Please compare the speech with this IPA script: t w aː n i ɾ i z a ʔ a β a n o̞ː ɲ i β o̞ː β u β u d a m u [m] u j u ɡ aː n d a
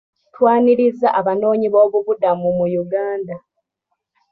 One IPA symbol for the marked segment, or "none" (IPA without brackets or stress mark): m